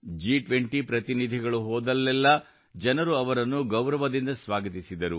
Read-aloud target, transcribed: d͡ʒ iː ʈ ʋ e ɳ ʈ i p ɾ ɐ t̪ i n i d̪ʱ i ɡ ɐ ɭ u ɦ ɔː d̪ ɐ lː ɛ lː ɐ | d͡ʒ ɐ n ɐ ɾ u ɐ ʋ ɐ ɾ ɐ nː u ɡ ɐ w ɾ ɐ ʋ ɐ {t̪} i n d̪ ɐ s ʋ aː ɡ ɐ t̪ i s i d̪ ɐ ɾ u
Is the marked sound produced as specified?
no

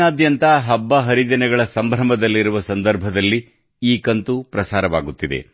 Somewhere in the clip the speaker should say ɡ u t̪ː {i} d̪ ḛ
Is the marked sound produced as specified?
yes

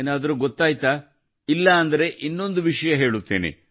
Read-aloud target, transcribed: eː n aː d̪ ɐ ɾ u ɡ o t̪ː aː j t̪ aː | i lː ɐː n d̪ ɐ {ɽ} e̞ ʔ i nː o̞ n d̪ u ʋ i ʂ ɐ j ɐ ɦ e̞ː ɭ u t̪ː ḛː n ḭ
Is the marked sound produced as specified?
no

